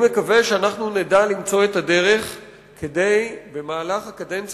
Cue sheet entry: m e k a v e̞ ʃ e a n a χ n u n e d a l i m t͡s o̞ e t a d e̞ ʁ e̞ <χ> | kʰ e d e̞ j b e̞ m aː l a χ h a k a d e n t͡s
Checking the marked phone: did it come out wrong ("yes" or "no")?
no